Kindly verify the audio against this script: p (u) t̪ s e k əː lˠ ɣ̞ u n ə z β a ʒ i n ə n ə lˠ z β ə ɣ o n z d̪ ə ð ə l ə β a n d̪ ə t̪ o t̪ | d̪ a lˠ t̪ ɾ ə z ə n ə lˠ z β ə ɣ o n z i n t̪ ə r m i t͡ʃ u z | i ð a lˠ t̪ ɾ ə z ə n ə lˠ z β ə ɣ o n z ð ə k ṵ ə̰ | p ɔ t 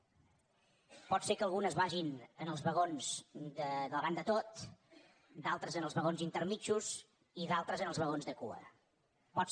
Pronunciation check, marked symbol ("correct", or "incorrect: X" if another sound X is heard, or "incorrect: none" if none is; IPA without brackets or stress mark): incorrect: ɔ